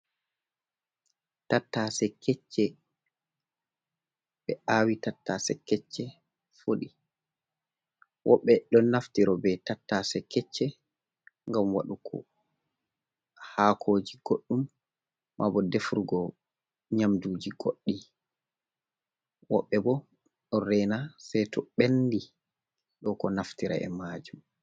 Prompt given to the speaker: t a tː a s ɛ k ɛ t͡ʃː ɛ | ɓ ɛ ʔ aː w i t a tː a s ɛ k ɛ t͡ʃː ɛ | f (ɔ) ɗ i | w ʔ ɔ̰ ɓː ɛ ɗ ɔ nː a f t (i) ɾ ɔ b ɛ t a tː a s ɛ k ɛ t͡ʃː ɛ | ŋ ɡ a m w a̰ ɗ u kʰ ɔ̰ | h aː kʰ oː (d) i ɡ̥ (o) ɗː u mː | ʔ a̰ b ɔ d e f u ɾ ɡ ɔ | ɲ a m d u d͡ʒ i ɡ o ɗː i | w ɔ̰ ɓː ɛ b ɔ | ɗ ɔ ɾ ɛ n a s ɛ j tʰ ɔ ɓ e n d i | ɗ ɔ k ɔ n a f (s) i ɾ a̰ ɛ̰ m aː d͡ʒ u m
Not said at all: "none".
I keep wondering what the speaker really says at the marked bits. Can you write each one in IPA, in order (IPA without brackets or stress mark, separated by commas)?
o, i, d͡ʒ, o, t